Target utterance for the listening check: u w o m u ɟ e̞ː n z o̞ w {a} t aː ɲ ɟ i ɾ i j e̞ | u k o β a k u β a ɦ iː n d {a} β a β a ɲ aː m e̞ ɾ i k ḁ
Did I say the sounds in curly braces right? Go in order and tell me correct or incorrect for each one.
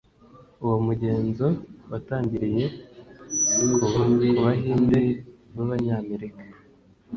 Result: correct, incorrect: e

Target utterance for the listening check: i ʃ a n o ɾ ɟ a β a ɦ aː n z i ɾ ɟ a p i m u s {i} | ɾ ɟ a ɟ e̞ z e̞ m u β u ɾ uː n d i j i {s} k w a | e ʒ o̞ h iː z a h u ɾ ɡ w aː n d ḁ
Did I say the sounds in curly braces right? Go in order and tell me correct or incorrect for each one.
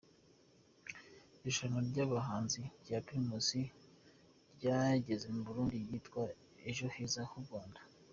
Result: correct, incorrect: t

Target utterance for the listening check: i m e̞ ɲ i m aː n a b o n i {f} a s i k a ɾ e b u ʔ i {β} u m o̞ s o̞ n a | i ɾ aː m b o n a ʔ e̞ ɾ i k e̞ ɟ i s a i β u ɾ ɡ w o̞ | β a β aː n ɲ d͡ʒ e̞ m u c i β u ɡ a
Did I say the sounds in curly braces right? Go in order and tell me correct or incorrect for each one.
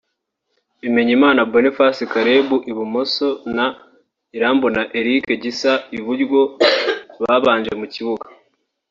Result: correct, correct

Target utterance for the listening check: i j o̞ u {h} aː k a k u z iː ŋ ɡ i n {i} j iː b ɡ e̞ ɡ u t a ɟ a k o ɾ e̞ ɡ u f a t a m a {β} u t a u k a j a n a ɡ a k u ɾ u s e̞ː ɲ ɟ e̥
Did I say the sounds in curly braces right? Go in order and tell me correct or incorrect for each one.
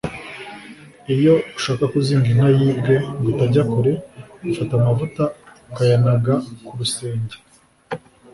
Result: incorrect: ʃ, incorrect: a, incorrect: v

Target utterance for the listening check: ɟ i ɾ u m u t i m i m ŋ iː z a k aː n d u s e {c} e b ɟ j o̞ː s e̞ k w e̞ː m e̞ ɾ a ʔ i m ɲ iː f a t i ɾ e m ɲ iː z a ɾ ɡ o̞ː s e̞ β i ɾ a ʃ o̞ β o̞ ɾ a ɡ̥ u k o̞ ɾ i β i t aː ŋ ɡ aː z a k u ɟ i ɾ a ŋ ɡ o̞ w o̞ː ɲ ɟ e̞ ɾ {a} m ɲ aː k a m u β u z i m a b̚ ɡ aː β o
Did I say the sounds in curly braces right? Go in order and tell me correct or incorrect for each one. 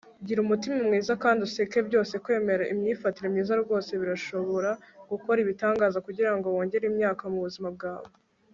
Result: incorrect: k, incorrect: i

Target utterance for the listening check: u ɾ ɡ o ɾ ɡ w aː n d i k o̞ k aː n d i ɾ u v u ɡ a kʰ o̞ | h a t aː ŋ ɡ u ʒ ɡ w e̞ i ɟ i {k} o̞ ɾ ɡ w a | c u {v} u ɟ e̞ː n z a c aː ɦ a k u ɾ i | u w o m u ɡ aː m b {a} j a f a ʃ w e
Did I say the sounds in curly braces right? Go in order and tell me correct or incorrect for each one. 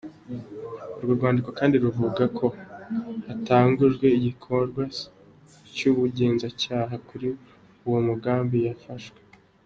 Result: incorrect: kʰ, incorrect: β, incorrect: i

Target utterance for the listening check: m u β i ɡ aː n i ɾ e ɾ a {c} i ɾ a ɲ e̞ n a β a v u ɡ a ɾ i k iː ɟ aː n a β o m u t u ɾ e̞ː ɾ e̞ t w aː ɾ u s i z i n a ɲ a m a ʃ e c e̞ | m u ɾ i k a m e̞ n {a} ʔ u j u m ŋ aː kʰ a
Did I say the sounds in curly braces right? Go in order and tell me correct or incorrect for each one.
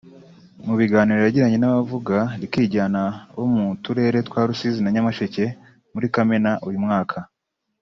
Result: incorrect: ɟ, correct

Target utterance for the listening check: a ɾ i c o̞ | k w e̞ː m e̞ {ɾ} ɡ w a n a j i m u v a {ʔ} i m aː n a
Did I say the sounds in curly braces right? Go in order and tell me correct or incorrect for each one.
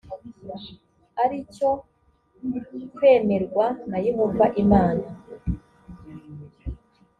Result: correct, correct

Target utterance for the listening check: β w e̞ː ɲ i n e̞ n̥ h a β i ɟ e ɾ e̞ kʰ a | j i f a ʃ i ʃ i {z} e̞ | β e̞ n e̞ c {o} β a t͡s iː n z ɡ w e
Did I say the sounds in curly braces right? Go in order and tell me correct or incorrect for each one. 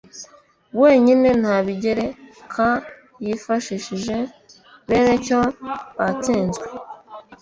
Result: incorrect: ʒ, correct

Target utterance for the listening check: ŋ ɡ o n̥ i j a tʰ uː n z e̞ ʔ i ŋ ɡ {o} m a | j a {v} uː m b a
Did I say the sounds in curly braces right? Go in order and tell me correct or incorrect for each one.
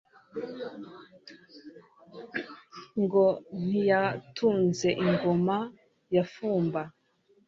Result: correct, incorrect: f

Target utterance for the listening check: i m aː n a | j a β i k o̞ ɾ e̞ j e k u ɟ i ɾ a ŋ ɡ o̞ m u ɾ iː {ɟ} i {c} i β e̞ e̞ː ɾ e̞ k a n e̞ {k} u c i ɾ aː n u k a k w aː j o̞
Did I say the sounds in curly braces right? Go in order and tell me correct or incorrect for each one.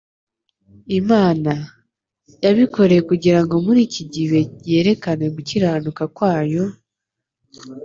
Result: incorrect: c, incorrect: ɟ, incorrect: ɡ

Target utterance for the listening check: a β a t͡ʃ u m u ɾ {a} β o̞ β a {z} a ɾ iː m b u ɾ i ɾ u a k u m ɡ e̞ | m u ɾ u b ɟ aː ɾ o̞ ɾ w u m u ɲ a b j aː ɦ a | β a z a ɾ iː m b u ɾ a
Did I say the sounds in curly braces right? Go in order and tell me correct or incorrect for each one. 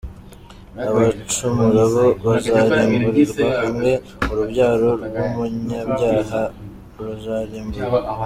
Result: correct, correct

